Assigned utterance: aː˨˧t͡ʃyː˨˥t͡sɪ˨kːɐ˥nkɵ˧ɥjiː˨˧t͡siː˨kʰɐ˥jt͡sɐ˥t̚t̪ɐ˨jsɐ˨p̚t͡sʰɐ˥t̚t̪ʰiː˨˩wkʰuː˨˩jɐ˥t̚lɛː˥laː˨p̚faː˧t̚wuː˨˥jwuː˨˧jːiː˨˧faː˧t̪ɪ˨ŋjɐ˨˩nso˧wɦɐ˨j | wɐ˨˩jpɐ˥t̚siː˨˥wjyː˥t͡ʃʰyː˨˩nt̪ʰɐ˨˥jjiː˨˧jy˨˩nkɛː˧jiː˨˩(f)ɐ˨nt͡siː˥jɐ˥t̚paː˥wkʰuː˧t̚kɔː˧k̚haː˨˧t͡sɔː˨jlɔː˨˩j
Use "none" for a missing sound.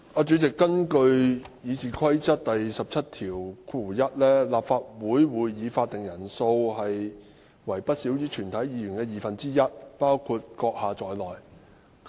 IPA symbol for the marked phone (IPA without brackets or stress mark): f